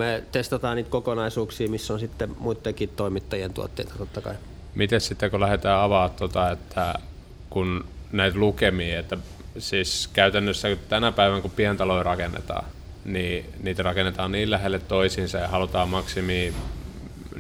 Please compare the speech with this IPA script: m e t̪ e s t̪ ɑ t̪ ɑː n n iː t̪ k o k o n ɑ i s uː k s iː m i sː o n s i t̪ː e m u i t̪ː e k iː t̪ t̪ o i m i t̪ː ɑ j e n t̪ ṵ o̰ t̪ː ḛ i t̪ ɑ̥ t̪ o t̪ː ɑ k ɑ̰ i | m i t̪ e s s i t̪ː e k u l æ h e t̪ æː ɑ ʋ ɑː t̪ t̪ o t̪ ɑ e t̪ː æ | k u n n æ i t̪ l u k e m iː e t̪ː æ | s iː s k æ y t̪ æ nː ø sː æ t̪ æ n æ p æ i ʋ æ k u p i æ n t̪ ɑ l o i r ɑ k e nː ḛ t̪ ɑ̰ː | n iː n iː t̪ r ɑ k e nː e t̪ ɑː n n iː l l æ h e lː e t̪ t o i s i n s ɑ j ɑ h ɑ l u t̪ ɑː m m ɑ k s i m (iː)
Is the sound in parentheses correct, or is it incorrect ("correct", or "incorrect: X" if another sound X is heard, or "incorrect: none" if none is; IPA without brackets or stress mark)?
correct